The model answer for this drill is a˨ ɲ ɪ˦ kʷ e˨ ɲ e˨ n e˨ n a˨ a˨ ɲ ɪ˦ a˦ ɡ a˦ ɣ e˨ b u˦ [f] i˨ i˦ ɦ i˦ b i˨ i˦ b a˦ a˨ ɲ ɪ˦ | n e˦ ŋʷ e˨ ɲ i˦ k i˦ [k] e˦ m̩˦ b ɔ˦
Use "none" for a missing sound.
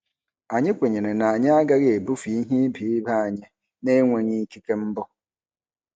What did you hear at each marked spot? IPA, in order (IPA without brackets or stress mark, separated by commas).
f, k